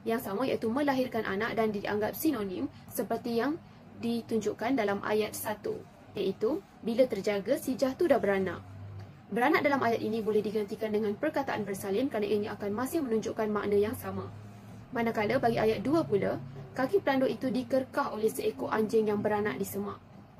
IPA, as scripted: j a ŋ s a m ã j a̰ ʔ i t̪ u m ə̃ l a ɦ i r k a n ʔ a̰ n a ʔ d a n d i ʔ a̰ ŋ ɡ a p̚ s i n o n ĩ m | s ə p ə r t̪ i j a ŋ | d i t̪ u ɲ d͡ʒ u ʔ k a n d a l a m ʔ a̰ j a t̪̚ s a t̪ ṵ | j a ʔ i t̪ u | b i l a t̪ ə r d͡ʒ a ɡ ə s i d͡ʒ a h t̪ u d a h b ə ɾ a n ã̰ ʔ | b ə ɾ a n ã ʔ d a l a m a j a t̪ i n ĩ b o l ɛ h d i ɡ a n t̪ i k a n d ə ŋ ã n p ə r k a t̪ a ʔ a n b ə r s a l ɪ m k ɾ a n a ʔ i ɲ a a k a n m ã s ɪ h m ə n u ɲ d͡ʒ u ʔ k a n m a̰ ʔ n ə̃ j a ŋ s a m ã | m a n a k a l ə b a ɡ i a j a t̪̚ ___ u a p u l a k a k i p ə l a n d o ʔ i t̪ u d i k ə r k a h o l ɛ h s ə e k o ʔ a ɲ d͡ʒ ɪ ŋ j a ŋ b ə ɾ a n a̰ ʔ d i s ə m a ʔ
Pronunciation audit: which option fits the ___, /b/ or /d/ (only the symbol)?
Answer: d